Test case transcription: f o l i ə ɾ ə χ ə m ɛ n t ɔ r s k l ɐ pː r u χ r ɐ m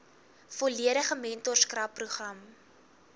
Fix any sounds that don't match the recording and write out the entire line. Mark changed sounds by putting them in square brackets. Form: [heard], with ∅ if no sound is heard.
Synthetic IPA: f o l i ə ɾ ə χ ə m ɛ n t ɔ r s k [r] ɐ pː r u χ r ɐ m